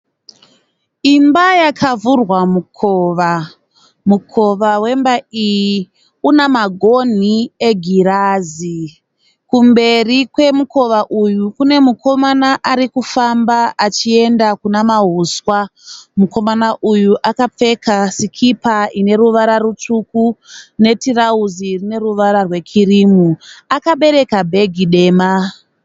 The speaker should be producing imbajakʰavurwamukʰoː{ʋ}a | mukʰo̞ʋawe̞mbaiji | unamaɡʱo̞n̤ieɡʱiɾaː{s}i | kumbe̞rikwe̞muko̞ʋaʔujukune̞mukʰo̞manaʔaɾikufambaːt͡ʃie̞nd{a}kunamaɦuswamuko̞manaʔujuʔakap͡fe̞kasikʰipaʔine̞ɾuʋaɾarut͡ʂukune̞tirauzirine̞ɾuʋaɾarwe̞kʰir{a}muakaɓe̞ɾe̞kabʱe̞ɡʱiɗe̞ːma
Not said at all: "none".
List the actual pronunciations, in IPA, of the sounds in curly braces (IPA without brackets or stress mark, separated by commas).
ʋ, z, a, i